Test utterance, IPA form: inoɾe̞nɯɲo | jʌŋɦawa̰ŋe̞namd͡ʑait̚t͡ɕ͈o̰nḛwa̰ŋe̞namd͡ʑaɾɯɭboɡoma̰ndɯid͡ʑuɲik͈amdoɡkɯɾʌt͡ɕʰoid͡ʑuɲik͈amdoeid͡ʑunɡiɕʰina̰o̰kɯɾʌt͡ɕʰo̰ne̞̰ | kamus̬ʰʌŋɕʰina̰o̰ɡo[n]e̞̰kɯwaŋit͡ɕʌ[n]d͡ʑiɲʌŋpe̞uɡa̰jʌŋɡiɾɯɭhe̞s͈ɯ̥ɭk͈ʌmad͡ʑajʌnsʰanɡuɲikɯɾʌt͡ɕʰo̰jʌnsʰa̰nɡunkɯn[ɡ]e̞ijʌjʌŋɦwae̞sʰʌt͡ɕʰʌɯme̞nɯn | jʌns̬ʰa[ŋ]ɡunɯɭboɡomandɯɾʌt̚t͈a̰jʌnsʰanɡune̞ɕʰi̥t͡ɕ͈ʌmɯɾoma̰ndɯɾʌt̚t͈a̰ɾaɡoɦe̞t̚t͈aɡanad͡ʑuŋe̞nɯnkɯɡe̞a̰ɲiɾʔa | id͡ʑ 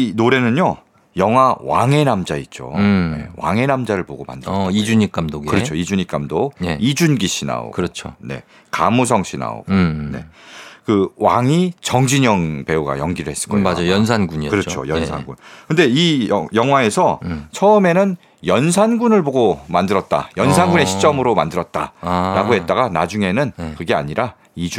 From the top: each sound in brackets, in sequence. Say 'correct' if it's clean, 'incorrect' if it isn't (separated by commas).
correct, incorrect, incorrect, incorrect